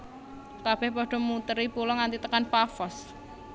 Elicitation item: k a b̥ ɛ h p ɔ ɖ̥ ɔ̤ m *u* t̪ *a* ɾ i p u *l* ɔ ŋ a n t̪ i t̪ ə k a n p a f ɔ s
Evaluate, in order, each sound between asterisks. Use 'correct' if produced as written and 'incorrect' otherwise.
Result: correct, incorrect, correct

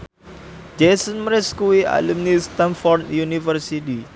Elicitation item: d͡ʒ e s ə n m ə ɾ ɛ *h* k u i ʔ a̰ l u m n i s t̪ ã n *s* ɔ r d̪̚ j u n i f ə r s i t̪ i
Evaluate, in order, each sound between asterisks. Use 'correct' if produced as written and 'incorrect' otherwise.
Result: incorrect, incorrect

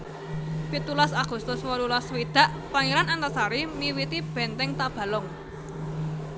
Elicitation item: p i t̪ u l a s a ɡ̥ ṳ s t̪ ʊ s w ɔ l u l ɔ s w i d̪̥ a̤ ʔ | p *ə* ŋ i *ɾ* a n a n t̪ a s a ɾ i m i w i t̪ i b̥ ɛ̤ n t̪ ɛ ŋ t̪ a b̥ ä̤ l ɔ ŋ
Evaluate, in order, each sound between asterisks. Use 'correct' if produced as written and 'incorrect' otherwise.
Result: incorrect, correct

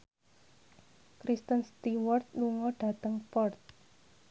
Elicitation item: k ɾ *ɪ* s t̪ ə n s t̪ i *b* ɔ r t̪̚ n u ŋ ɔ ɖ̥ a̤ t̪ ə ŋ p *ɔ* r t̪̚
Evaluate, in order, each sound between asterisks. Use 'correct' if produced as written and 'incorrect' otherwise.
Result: incorrect, incorrect, correct

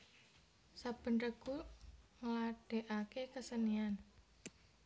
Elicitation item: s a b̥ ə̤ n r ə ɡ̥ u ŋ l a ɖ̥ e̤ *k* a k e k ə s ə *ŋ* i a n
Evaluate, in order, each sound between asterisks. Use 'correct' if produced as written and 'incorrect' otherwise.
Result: incorrect, incorrect

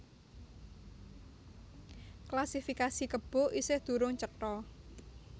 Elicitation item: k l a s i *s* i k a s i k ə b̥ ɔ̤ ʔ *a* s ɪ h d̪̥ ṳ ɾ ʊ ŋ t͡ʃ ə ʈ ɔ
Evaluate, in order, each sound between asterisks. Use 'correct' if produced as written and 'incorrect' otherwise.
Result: incorrect, incorrect

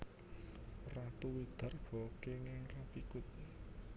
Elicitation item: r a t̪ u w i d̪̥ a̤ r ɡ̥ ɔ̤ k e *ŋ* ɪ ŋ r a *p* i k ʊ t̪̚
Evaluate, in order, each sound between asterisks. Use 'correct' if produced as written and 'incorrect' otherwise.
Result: correct, correct

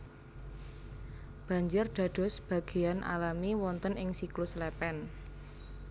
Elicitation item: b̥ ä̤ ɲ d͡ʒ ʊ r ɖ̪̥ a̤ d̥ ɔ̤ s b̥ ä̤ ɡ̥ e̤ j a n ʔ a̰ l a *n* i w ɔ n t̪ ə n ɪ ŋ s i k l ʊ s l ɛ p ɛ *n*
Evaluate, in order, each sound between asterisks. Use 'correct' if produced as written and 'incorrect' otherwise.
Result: incorrect, correct

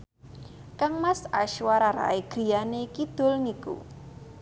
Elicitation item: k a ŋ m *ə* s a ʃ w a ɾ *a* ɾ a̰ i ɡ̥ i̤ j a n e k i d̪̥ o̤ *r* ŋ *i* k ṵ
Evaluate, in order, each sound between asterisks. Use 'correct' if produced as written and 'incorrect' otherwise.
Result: incorrect, correct, incorrect, correct

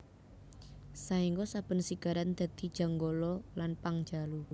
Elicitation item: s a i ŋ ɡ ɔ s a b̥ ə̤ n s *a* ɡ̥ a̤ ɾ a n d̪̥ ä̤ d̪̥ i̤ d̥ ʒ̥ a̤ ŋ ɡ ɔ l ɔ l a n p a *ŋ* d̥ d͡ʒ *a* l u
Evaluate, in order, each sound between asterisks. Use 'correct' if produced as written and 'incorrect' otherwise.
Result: incorrect, correct, correct

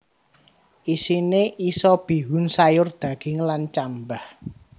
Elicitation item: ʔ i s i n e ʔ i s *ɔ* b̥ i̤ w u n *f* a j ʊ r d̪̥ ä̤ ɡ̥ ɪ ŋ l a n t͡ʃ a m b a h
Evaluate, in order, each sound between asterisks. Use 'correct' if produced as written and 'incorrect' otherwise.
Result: correct, incorrect

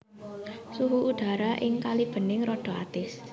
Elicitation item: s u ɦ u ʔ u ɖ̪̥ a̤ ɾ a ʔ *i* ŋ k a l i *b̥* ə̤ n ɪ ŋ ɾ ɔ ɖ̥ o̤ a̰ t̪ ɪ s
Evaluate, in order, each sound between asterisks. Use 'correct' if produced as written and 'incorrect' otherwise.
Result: incorrect, correct

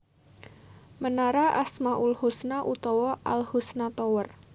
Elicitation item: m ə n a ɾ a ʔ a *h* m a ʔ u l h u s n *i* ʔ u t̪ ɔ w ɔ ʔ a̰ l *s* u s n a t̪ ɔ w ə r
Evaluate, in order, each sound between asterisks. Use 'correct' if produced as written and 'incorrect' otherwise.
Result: incorrect, incorrect, incorrect

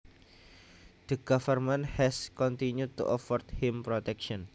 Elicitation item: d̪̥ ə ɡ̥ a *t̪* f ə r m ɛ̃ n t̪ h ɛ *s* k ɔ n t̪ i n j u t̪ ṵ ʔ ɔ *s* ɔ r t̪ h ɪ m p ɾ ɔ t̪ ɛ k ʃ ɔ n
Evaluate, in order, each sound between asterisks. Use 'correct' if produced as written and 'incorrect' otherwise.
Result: incorrect, correct, incorrect

